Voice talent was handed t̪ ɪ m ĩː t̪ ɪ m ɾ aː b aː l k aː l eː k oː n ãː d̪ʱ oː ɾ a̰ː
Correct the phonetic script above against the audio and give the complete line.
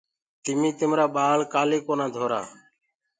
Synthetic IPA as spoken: t̪ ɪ m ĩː t̪ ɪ m ɾ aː ɓ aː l k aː l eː k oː n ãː d̪ʱ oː ɾ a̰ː